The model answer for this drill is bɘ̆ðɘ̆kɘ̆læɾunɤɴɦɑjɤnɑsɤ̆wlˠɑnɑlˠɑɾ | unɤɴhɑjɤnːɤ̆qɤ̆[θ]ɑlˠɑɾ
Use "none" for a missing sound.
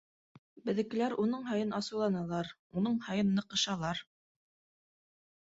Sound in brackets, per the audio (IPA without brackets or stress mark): ʃ